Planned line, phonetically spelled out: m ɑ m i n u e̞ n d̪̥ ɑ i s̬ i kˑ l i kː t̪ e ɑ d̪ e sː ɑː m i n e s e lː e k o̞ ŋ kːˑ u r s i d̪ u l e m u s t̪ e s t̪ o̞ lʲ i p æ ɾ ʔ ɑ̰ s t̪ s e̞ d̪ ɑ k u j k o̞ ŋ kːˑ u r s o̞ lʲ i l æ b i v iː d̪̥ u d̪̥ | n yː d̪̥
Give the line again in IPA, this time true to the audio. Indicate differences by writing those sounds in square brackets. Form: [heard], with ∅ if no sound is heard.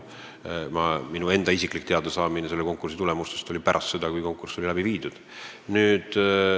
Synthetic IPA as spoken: m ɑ m i n u e̞ n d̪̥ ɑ i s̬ i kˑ l i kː t̪ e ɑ d̪ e [s] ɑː m i n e s e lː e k o̞ ŋ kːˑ u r s i [t̪] u l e m u s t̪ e s t̪ o̞ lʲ i p æ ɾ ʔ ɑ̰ s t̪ s e̞ d̪ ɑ k u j k o̞ ŋ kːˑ u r s o̞ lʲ i l æ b i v iː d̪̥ u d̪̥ | n yː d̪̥